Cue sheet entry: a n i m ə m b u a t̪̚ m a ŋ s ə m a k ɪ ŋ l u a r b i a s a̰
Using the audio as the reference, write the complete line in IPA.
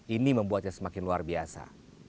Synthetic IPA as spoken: i n i m ə m b u a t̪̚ ɲ a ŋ s ə m a k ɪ n l u a r b i a s a̰